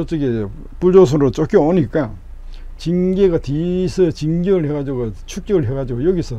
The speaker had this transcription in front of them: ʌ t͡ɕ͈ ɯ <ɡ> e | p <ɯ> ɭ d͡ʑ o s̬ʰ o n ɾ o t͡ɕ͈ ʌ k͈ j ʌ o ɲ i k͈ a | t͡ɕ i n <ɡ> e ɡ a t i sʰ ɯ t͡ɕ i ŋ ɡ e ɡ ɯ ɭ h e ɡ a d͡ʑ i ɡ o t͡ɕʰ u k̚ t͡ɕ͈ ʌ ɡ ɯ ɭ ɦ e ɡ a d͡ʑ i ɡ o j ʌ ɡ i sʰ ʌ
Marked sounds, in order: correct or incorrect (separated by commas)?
correct, incorrect, correct